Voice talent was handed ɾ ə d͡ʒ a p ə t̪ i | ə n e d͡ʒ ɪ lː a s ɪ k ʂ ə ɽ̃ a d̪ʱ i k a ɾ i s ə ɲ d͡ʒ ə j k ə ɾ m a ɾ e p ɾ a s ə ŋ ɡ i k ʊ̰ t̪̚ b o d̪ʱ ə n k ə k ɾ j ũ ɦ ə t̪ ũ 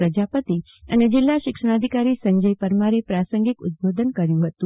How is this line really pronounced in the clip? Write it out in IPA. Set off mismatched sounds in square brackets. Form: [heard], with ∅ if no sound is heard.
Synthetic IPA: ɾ ə d͡ʒ a p ə t̪ i | ə n e d͡ʒ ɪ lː a [ʃ] ɪ k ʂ ə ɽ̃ a d̪ʱ i k a ɾ i s ə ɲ d͡ʒ ə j [p] ə ɾ m a ɾ e p ɾ a s ə ŋ ɡ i k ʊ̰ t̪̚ b o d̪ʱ ə n k ə [∅] ɾ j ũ ɦ ə t̪ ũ